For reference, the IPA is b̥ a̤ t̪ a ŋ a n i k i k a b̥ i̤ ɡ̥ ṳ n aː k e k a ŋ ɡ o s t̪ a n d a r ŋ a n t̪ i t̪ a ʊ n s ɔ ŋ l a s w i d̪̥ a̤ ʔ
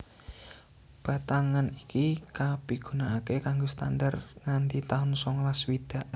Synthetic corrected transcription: b̥ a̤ t̪ a ŋ a n i k i k a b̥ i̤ ɡ̥ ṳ n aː k e k a ŋ ɡ o s t̪ a n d a r ŋ a n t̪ i t̪ a ʊ n s ɔ ŋ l a s w i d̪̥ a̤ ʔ